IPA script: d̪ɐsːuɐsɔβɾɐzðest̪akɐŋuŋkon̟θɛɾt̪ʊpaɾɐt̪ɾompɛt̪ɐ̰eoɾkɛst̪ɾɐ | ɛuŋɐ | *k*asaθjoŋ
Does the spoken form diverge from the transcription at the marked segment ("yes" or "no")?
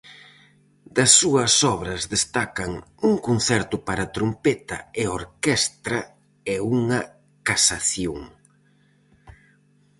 no